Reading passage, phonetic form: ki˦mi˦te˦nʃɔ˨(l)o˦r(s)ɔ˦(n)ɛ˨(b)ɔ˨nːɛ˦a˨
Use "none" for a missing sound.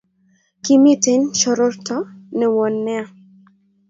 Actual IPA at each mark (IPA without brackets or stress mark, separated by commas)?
ɾ, t, n, w